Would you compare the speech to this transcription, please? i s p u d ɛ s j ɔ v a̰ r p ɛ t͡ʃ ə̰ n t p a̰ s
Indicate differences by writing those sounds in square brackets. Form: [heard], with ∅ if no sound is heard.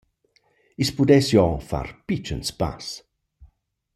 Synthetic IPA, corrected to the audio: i s p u d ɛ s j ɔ [f] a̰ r p [i] t͡ʃ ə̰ n [s] p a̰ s